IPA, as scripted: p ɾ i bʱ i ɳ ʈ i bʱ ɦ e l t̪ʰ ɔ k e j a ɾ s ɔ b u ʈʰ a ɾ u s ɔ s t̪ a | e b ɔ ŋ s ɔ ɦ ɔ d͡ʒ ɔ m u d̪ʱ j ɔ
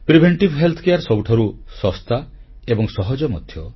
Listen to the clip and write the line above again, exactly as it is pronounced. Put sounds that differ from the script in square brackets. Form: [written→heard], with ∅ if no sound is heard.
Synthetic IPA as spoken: p ɾ i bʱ [i→e] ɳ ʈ i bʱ ɦ e l t̪ʰ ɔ k e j a ɾ s ɔ b u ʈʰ a ɾ u s ɔ s t̪ a | e b ɔ ŋ s ɔ ɦ ɔ d͡ʒ ɔ m [u→ɔ] d̪ʱ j ɔ